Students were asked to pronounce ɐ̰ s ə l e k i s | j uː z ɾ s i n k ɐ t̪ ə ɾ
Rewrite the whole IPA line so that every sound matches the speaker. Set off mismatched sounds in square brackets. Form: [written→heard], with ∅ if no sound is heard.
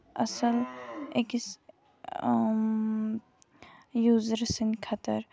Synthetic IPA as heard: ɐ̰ s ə l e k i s | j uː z ɾ s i n [k→kʰ] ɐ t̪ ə ɾ